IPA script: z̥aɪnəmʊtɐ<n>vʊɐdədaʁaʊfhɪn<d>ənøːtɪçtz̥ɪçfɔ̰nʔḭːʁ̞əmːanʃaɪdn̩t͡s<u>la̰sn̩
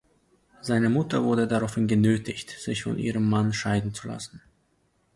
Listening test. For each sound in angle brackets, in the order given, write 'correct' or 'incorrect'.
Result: incorrect: none, incorrect: ɡ, correct

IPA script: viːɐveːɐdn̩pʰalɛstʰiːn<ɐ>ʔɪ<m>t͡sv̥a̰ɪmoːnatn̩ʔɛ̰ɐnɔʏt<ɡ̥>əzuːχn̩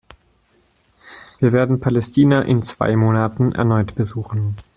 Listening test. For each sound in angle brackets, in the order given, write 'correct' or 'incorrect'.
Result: incorrect: a, incorrect: n, incorrect: b̥

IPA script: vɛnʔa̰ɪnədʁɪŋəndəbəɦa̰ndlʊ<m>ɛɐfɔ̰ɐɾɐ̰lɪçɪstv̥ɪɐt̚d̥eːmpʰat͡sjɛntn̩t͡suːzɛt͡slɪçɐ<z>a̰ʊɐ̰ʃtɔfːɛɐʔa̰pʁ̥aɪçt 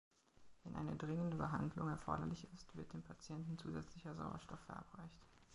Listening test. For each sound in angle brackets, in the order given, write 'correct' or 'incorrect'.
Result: incorrect: ŋ, correct

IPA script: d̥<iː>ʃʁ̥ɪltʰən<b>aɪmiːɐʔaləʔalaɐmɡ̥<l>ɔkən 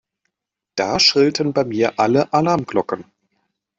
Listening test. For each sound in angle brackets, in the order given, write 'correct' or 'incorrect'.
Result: incorrect: aː, correct, correct

